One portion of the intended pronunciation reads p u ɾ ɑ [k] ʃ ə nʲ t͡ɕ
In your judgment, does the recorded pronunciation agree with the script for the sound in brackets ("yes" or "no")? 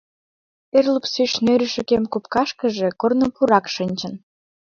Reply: yes